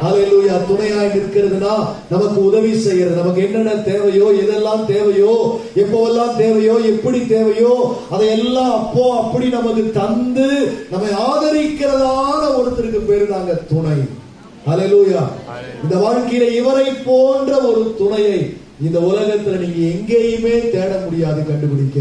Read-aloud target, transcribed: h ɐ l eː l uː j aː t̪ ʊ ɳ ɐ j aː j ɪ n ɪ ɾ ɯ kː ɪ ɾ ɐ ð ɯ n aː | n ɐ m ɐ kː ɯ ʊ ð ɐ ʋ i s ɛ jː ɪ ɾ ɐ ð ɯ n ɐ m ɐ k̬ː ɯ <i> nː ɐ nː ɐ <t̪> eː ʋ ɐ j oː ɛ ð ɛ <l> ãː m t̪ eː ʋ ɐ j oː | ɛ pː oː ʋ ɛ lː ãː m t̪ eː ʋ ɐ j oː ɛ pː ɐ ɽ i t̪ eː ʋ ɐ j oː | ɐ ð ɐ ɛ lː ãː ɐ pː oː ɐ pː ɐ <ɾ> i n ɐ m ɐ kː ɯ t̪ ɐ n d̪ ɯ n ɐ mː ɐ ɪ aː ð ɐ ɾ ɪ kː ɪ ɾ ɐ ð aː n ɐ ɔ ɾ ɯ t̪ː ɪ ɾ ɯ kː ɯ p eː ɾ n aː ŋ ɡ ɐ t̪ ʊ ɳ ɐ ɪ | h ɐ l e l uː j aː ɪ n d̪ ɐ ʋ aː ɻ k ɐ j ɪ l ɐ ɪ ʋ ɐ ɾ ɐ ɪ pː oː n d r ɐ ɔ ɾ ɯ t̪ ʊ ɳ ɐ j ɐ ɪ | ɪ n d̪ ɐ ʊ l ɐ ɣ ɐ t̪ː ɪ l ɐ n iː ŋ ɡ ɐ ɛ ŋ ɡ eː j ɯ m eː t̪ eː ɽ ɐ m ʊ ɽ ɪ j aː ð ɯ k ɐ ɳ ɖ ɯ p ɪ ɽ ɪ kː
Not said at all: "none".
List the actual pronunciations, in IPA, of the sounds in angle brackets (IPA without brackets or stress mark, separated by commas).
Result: ɛ, t̪, lː, ɽ